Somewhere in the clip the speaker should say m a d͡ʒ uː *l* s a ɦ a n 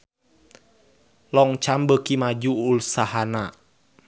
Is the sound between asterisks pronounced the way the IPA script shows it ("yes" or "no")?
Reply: yes